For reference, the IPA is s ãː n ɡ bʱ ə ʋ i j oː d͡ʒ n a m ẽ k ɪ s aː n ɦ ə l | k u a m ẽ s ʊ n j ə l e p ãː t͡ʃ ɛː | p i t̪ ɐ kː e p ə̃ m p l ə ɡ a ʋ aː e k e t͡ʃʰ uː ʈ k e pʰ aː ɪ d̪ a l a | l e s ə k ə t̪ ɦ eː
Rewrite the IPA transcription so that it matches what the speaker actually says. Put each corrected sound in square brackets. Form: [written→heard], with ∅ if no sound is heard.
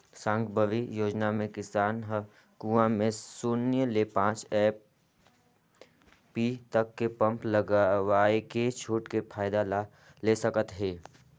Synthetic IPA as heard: s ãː [n→ŋ] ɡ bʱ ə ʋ i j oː d͡ʒ n a m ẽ k ɪ s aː n ɦ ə [l→∅] | k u a m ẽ s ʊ n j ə l e p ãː t͡ʃ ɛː | p i t̪ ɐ kː e p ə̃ m p l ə ɡ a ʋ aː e k e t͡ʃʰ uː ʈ k e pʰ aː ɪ d̪ a l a | l e s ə k ə t̪ ɦ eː